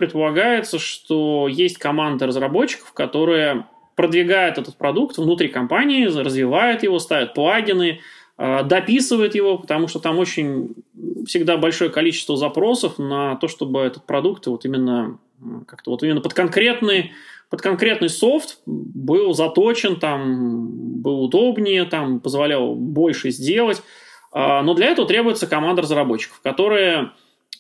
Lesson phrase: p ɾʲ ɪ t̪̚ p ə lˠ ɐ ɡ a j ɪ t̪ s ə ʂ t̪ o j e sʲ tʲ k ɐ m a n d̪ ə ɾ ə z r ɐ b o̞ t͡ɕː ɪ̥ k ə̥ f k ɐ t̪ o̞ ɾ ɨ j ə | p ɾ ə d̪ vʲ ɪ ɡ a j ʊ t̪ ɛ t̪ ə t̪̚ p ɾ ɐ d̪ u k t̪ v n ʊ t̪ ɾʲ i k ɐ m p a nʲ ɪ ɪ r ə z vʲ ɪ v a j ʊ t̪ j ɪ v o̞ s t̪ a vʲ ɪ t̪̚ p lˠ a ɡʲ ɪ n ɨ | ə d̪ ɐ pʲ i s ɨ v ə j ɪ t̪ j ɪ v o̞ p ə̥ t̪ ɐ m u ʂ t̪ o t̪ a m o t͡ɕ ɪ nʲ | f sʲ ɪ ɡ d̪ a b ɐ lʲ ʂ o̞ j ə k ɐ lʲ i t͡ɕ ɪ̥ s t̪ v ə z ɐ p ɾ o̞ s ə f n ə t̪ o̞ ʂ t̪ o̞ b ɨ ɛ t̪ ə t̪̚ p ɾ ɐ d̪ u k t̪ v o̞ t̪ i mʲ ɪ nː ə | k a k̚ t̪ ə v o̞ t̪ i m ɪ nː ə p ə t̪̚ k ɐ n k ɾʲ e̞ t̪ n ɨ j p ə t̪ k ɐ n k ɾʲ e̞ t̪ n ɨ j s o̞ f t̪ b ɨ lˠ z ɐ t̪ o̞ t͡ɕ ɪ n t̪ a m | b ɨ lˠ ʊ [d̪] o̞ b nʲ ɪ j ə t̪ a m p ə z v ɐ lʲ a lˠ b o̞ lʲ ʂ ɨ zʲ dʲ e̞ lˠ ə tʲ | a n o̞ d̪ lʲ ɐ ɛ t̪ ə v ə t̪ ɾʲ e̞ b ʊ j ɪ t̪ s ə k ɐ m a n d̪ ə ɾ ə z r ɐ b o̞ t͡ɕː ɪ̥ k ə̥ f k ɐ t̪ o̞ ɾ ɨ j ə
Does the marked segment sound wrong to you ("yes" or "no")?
no